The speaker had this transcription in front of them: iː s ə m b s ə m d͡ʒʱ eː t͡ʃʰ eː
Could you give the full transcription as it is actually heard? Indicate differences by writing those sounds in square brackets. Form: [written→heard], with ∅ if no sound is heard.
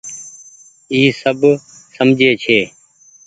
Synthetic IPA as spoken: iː s ə [m→∅] b s ə m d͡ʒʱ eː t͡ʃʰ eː